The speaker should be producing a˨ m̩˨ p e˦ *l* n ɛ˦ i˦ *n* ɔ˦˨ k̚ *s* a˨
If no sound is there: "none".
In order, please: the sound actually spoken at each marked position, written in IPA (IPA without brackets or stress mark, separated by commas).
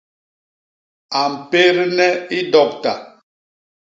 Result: ɾ, d, t